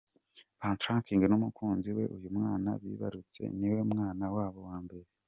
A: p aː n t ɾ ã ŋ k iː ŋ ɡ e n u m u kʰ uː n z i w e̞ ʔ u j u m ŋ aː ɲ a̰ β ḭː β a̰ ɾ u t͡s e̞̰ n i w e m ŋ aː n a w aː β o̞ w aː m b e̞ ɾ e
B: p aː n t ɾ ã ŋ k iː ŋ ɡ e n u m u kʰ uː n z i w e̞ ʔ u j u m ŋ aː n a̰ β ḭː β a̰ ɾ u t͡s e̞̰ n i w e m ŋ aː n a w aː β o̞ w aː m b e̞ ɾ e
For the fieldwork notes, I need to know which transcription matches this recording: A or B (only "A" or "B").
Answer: B